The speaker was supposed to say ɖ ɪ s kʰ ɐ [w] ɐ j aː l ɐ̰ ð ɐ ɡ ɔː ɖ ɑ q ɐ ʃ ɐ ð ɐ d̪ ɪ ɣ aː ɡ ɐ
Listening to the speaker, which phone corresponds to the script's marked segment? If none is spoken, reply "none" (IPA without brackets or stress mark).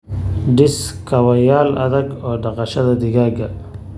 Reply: w